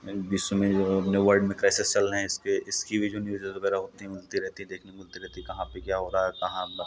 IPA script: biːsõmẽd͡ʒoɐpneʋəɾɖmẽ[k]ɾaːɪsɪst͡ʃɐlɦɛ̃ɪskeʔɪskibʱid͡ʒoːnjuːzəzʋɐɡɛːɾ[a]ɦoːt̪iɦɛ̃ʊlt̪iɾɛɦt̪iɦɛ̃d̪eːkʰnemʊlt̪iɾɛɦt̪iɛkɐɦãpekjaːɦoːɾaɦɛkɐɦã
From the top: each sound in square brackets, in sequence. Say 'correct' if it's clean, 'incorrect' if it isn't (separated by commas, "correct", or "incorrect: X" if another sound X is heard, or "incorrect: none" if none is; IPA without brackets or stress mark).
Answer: correct, correct